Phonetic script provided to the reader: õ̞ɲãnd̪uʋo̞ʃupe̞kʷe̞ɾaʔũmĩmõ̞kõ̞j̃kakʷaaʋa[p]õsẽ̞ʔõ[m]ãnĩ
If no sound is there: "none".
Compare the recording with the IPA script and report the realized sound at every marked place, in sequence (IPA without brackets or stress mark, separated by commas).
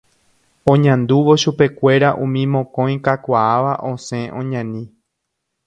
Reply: ʔ, ɲ